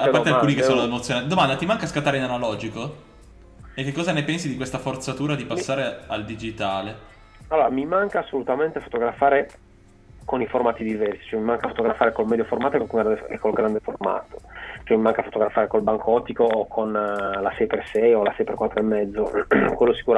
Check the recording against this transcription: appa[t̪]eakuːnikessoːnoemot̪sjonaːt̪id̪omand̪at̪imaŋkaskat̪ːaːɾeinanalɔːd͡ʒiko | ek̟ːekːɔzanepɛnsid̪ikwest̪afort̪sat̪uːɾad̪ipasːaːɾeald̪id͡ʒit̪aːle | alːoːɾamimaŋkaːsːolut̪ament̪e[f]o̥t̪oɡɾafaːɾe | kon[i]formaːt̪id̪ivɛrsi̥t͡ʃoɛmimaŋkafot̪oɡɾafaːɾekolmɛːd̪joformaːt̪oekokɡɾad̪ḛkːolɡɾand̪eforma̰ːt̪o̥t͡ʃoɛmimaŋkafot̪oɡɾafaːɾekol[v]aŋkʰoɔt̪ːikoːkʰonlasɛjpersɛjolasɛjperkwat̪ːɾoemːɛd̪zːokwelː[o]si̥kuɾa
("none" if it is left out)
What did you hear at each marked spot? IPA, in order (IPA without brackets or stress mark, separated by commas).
t̪, f, i, b, o